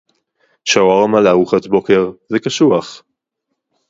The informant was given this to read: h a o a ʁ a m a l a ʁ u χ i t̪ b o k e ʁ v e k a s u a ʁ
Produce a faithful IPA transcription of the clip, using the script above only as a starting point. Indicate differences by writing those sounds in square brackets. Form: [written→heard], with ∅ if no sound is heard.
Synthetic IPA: [h→ʃ] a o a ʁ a m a l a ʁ u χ [i→a] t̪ b o k e ʁ [v→z] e k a [s→ʃ] u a [ʁ→χ]